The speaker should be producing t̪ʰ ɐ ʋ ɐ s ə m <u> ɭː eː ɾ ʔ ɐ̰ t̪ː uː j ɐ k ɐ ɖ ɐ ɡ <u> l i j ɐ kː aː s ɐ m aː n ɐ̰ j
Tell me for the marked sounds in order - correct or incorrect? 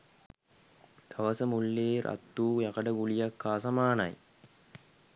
correct, correct

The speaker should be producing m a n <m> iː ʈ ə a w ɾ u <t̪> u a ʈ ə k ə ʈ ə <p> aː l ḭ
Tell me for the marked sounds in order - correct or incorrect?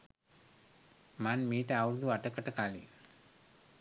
correct, incorrect: d̪, incorrect: k

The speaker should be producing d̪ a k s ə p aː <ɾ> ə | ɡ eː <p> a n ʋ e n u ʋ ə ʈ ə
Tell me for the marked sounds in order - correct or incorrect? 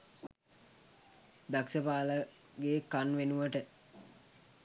incorrect: l, incorrect: k

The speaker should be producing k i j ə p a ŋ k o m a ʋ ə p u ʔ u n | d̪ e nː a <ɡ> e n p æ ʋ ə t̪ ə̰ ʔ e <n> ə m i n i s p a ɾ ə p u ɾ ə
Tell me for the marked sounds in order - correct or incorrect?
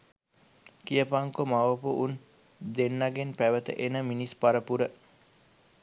correct, correct

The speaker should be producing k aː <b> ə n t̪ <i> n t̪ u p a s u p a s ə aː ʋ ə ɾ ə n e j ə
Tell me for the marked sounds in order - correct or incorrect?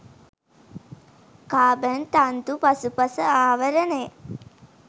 correct, incorrect: a

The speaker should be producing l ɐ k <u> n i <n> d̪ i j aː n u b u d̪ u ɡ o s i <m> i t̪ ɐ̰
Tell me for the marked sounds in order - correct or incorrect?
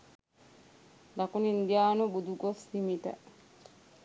correct, correct, correct

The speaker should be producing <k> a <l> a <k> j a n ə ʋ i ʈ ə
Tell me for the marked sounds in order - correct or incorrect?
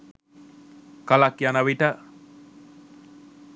correct, correct, correct

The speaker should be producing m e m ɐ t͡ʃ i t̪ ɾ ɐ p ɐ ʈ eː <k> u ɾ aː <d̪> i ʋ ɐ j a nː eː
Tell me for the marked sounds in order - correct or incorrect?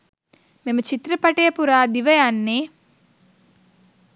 incorrect: p, correct

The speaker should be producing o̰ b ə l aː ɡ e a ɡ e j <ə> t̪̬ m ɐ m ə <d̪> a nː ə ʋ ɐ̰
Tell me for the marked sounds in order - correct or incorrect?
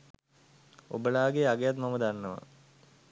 incorrect: a, correct

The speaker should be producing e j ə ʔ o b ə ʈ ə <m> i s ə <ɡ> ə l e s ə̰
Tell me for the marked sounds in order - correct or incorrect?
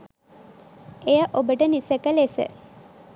incorrect: n, incorrect: k

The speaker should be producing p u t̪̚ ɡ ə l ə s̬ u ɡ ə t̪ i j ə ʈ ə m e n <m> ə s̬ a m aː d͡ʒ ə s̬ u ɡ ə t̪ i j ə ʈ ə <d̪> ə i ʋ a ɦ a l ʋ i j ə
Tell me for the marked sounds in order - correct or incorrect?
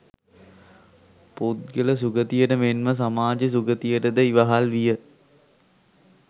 correct, correct

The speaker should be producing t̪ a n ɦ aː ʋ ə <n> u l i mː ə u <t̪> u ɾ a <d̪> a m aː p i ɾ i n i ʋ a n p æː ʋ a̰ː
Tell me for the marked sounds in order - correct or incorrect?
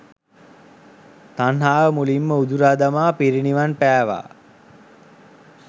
incorrect: m, incorrect: d̪, correct

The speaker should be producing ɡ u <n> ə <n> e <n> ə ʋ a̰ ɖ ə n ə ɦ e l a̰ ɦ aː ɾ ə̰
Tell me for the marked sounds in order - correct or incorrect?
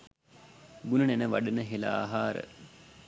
correct, correct, correct

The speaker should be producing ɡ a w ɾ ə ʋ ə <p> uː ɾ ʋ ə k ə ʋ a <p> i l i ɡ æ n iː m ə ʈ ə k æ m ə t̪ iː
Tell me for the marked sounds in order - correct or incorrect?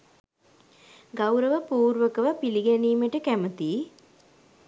correct, correct

